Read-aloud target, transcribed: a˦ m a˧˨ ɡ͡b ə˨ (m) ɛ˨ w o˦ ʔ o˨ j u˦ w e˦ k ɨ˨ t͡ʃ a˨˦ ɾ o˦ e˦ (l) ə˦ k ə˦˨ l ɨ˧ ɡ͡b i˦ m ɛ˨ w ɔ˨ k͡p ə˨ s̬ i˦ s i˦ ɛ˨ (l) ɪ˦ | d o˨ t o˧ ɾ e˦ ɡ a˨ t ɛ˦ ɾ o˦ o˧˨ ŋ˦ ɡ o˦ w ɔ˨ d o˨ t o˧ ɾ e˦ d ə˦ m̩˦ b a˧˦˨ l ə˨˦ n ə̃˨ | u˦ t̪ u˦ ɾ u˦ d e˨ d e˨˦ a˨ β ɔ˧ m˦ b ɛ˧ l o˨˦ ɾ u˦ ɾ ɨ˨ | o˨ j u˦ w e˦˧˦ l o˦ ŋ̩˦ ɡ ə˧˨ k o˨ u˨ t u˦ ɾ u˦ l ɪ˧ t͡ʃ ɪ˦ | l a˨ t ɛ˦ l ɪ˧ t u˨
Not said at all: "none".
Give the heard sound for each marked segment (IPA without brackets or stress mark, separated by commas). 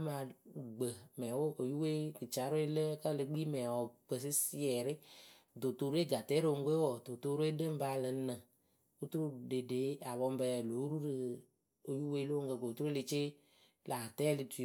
m, l, ɾ